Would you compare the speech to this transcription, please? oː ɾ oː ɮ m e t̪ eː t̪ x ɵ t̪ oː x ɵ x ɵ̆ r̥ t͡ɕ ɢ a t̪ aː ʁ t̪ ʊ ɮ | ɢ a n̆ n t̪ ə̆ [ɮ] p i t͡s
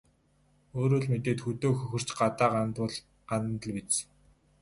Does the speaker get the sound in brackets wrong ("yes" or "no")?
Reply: no